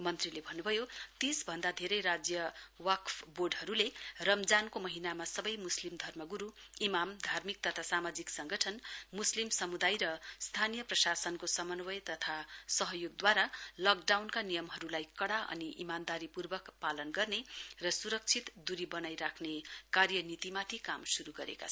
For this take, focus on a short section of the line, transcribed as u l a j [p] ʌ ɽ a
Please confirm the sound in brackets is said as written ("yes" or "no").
no